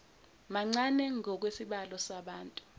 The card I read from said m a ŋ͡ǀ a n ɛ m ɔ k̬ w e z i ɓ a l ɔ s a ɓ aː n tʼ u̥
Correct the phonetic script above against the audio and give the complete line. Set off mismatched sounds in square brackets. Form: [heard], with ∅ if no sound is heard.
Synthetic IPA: m a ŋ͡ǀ a n ɛ [ŋ] ɔ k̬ w e [s] i ɓ a l ɔ s a ɓ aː n tʼ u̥